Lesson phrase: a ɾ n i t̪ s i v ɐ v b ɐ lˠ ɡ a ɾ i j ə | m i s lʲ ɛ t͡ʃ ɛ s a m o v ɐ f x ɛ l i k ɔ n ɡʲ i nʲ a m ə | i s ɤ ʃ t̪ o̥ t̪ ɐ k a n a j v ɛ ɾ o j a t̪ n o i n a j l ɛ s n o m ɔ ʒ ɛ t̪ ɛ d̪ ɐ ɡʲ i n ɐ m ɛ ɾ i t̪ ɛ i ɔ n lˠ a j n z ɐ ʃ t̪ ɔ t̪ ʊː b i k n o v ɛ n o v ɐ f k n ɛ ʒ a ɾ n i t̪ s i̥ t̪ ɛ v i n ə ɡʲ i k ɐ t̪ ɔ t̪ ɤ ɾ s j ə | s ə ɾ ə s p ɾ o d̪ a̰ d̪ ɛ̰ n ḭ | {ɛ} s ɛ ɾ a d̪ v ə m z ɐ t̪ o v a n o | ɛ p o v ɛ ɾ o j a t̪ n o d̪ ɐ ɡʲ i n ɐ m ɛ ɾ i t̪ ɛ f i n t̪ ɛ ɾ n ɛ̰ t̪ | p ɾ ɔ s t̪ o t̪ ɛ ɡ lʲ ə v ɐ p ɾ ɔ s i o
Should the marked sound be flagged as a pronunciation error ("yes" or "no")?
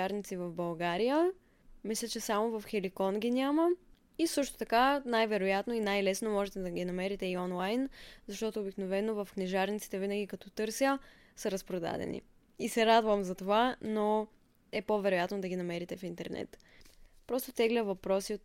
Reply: yes